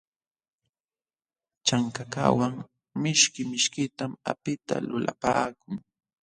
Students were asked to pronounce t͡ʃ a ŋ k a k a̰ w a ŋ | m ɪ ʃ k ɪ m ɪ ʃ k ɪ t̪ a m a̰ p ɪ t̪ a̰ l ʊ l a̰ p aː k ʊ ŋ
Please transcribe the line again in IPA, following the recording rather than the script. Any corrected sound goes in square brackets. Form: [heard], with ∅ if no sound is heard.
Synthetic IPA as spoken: t͡ʃ a ŋ k a k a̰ w a ŋ | m ɪ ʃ k ɪ m ɪ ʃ k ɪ t̪ a m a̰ p ɪ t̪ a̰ l ʊ l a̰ p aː k ʊ ŋ